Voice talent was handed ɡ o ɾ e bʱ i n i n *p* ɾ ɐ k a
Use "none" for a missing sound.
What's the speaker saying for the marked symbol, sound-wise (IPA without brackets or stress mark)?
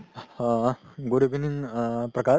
p